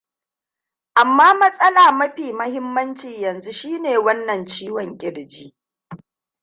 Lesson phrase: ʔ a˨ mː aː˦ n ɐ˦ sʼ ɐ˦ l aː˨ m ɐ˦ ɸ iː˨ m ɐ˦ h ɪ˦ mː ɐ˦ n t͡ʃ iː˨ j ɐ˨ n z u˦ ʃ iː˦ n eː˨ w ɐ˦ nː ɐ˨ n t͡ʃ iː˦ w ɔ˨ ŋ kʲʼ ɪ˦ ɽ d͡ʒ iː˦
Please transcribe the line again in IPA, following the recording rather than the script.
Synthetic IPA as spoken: ʔ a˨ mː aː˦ m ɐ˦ sʼ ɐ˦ l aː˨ m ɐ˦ ɸ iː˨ m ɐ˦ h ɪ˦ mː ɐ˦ n t͡ʃ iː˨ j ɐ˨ n z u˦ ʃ iː˦ n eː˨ w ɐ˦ nː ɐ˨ n t͡ʃ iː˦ w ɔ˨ ŋ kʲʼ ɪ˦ ɽ d͡ʒ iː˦

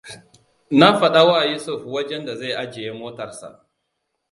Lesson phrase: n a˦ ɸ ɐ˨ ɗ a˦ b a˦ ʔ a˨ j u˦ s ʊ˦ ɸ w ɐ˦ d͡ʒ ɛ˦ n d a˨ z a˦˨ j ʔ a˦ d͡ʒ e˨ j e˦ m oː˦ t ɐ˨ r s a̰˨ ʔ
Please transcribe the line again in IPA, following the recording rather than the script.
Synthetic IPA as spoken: n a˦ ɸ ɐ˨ ɗ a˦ w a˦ ʔ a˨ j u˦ s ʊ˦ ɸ w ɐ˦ d͡ʒ ɛ˦ n d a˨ z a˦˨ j ʔ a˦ d͡ʒ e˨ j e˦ m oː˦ t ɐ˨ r s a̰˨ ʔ

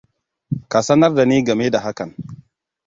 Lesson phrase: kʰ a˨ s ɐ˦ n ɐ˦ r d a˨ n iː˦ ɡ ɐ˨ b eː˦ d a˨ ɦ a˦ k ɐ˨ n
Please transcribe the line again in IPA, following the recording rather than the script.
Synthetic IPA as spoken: k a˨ s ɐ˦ n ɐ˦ r d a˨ n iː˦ ɡ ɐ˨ m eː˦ d a˨ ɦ a˦ k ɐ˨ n

